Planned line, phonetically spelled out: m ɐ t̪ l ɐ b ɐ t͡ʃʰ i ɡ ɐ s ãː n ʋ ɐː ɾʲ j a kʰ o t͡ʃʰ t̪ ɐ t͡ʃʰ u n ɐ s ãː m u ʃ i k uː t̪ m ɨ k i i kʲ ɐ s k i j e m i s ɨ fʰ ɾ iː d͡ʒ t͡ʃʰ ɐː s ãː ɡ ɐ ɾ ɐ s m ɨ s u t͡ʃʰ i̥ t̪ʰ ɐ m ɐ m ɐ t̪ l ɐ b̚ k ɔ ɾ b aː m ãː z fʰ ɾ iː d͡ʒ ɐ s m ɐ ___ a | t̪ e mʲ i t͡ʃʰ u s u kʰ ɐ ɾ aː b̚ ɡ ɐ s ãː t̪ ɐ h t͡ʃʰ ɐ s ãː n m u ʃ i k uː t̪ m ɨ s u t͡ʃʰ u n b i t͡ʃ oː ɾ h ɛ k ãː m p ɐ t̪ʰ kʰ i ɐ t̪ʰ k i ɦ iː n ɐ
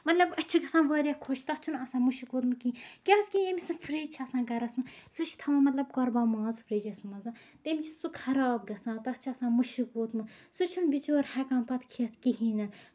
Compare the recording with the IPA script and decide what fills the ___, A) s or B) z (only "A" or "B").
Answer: B